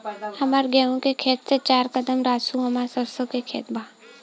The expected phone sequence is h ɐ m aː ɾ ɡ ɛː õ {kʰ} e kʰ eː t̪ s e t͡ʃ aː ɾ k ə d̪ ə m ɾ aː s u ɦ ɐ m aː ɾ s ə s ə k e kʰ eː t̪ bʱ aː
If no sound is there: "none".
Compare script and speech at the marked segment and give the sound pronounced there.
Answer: k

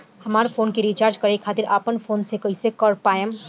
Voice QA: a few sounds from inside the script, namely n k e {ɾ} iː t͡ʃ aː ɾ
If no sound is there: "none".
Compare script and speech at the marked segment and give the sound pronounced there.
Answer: ɾ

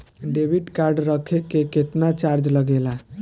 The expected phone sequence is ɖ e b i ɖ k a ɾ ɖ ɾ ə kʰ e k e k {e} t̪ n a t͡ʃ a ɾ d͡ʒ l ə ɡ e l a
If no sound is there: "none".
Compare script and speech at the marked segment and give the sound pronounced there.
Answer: e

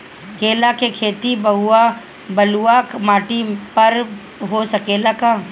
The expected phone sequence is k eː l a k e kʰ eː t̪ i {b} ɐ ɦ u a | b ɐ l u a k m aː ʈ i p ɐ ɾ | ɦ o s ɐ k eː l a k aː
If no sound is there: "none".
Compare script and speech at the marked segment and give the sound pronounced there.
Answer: b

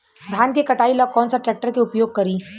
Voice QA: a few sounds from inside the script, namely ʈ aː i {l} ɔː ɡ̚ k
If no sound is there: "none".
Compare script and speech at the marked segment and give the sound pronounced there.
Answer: l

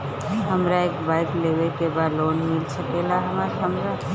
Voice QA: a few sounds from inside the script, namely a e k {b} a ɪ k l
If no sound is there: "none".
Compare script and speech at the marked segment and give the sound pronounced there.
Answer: b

